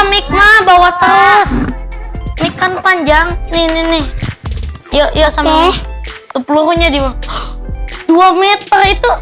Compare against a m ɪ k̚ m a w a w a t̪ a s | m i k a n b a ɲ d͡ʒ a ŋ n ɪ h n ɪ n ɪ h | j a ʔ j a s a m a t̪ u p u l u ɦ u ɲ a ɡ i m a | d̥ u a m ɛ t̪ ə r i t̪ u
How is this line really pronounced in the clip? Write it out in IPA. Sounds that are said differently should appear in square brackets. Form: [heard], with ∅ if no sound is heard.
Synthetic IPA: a m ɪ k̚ m a [b] a w a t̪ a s | m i k a n [p] a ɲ d͡ʒ a ŋ n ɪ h n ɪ n ɪ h | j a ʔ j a s a m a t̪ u p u l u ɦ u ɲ a [d] i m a | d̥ u a m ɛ t̪ ə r i t̪ u